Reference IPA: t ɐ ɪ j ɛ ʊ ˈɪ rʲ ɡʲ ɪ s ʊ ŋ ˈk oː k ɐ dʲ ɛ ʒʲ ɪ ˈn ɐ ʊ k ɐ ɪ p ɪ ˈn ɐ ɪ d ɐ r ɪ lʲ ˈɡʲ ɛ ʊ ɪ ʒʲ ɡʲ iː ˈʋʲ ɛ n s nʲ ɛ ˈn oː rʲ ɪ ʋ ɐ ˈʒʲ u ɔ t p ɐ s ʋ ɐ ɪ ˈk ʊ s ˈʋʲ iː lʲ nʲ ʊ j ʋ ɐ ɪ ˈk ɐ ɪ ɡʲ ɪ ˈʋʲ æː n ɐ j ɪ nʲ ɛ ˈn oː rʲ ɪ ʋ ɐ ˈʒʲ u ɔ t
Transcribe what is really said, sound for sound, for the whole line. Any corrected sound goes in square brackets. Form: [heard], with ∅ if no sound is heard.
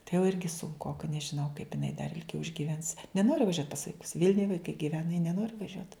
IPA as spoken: t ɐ ɪ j ɛ ʊ ˈɪ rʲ ɡʲ ɪ s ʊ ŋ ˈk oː k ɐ [nʲ] ɛ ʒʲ ɪ ˈn ɐ ʊ k ɐ ɪ p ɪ ˈn ɐ ɪ d ɐ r ɪ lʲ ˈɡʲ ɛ ʊ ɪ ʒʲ ɡʲ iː ˈʋʲ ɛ n s nʲ ɛ ˈn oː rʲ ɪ ʋ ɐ ˈʒʲ u ɔ t p ɐ s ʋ ɐ ɪ ˈk ʊ s ˈʋʲ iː lʲ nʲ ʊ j ʋ ɐ ɪ ˈk ɐ ɪ ɡʲ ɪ ˈʋʲ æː n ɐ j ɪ nʲ ɛ ˈn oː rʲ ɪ ʋ ɐ ˈʒʲ u ɔ t

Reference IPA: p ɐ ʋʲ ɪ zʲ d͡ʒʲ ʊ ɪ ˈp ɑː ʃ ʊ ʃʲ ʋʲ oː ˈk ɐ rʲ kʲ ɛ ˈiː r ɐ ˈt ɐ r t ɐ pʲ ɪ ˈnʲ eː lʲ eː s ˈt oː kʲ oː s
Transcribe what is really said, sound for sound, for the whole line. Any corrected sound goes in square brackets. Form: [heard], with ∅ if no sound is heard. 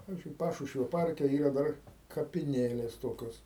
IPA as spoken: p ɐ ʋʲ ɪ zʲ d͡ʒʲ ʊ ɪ ˈp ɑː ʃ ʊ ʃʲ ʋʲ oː [ˈp] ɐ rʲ kʲ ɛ ˈiː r ɐ [ˈd] ɐ r [k] ɐ pʲ ɪ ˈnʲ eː lʲ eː s ˈt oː kʲ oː s

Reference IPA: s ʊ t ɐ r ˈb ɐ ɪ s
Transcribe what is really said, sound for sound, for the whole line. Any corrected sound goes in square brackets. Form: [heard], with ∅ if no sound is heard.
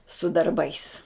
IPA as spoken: s ʊ [d] ɐ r ˈb ɐ ɪ s

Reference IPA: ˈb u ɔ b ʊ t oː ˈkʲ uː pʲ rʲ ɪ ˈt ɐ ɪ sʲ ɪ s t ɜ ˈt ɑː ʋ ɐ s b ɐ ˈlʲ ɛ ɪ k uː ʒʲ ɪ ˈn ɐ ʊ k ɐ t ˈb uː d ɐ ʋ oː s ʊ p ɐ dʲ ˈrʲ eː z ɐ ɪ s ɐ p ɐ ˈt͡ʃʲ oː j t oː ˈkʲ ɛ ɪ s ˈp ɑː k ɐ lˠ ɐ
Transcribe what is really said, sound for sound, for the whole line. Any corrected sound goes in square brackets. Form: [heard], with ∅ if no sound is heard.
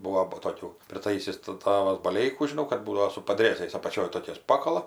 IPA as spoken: ˈb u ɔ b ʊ t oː ˈkʲ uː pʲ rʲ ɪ ˈt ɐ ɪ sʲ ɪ s t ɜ ˈt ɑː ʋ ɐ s b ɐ ˈlʲ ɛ ɪ k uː ʒʲ ɪ ˈn ɐ ʊ k ɐ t ˈb uː d ɐ ʋ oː s ʊ p ɐ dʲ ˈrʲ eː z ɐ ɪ s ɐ p ɐ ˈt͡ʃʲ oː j t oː ˈkʲ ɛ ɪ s ˈp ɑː k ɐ lˠ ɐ

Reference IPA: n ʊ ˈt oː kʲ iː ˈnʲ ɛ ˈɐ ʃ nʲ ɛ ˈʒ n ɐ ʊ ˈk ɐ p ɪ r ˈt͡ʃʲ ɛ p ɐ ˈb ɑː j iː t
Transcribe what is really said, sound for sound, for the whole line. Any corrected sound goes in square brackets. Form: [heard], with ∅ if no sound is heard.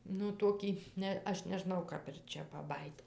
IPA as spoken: n ʊ ˈt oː kʲ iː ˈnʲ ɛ ˈɐ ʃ nʲ ɛ ˈʒ n ɐ ʊ ˈk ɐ p ɪ r ˈt͡ʃʲ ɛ p ɐ ˈb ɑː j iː t

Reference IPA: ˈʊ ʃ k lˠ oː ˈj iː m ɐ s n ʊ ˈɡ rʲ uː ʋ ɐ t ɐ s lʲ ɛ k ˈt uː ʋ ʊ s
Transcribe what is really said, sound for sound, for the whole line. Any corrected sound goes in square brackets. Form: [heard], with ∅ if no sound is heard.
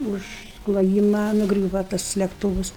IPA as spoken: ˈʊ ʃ k lˠ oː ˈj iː m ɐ [∅] n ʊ ˈɡ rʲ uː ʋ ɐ t ɐ s lʲ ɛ k ˈt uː ʋ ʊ s

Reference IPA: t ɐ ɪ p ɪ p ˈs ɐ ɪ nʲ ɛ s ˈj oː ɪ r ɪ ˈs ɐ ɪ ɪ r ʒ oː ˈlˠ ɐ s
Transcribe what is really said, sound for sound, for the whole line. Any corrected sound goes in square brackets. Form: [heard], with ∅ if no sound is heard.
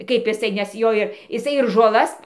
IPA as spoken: [k] ɐ ɪ p ɪ [∅] ˈs ɐ ɪ nʲ ɛ s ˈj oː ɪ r ɪ ˈs ɐ ɪ ɪ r ʒ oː ˈlˠ ɐ s

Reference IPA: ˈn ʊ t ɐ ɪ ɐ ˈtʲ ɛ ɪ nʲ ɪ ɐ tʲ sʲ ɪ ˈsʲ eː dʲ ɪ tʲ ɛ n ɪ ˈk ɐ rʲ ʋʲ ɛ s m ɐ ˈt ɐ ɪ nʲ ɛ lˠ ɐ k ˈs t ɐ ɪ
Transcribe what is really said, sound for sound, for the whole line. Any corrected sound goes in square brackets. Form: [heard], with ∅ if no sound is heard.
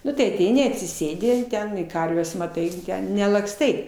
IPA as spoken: ˈn ʊ t ɐ ɪ ɐ ˈtʲ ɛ ɪ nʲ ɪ ɐ tʲ sʲ ɪ ˈsʲ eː dʲ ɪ tʲ ɛ n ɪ ˈk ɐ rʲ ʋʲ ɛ s m ɐ ˈt ɐ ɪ nʲ ɛ lˠ ɐ k ˈs t ɐ ɪ

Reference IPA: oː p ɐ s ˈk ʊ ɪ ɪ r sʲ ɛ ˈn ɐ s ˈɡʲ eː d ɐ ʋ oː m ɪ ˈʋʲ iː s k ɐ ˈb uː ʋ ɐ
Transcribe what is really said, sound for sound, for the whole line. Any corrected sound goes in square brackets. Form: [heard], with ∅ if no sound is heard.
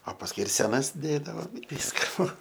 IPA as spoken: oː p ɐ s ˈk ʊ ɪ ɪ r sʲ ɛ ˈn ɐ s [ˈdʲ] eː d ɐ ʋ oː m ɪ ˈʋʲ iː s k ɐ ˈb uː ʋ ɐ

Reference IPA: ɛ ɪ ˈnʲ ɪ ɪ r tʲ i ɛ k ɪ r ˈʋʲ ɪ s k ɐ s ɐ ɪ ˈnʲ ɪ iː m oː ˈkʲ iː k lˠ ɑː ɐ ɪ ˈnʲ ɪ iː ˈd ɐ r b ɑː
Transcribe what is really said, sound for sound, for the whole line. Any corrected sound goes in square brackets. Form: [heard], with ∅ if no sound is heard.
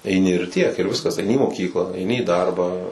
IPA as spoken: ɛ ɪ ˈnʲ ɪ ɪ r tʲ i ɛ k ɪ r ˈʋʲ ɪ s k ɐ s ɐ ɪ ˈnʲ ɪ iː m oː ˈkʲ iː k lˠ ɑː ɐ ɪ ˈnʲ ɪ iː ˈd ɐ r b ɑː

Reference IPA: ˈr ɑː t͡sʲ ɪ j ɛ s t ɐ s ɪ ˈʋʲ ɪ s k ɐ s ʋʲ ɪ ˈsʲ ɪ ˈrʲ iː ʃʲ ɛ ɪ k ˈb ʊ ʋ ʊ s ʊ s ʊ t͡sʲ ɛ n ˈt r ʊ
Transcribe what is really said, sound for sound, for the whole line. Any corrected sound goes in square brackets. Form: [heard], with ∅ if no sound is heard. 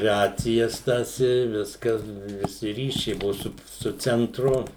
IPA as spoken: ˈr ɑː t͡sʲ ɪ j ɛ s t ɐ s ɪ ˈʋʲ ɪ s k ɐ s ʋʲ ɪ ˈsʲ ɪ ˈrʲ iː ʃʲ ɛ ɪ [∅] ˈb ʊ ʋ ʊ s ʊ s ʊ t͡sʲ ɛ n ˈt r ʊ

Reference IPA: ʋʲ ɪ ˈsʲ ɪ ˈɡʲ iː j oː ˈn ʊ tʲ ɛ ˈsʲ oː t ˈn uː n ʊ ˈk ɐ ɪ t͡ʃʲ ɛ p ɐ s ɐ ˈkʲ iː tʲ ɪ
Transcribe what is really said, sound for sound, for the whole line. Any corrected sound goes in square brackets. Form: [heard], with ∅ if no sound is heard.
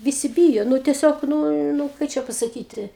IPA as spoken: ʋʲ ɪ ˈsʲ ɪ [ˈbʲ] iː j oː ˈn ʊ tʲ ɛ ˈsʲ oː [k] ˈn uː n ʊ ˈk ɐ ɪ t͡ʃʲ ɛ p ɐ s ɐ ˈkʲ iː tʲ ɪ

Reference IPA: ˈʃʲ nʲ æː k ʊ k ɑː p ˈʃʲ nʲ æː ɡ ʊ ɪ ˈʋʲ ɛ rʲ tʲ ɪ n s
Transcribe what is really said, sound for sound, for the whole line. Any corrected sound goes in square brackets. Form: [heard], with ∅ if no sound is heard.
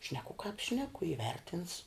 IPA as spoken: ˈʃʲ nʲ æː k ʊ k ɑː p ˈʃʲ nʲ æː [k] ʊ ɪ ˈʋʲ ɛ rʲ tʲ ɪ n s

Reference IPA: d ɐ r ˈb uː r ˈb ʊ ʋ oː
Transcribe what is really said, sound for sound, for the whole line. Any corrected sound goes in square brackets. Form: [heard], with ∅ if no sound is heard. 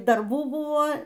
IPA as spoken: d ɐ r ˈb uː [∅] ˈb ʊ ʋ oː

